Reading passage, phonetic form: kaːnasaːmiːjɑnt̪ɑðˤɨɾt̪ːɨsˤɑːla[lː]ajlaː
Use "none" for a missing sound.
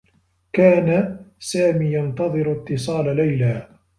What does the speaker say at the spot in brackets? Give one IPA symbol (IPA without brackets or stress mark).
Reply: l